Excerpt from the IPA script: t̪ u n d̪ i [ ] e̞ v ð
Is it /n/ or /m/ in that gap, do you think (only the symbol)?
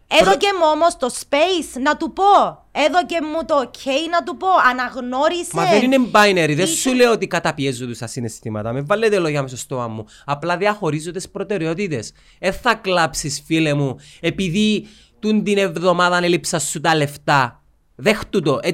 n